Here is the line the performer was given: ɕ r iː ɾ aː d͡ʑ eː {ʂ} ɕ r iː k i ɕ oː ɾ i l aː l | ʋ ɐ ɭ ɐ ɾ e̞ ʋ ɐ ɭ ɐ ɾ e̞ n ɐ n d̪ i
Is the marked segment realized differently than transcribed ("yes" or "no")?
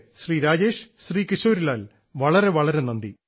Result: no